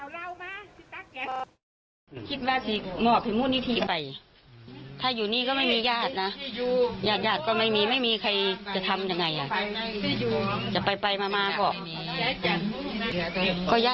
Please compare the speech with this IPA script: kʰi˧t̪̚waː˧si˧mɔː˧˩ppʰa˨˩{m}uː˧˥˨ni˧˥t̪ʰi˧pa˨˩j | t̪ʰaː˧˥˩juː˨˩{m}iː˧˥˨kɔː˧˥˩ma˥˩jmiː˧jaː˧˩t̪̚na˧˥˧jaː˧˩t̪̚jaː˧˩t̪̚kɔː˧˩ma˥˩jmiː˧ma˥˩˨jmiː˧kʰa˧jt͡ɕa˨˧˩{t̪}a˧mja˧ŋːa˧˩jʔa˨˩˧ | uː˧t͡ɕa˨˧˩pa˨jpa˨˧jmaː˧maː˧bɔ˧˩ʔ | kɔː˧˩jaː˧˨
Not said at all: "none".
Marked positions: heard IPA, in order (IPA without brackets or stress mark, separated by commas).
m, n, t̪ʰ